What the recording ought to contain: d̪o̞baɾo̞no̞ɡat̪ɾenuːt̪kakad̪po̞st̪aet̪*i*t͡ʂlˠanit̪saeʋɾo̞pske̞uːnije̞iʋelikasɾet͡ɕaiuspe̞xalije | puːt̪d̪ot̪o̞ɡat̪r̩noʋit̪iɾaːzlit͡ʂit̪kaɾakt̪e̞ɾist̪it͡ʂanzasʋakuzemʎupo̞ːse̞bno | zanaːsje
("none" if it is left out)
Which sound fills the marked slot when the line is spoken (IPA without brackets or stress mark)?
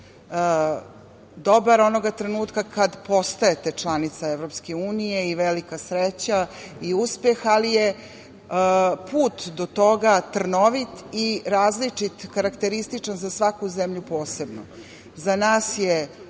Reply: e